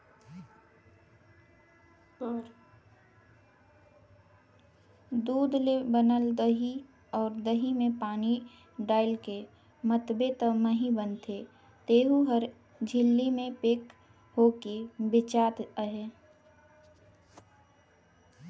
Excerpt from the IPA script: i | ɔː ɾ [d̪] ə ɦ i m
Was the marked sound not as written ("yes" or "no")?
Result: no